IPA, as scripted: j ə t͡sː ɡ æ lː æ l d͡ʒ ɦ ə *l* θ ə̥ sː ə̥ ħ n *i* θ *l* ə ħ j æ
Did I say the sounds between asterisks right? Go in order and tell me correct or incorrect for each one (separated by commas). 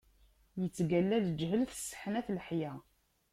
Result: correct, incorrect, correct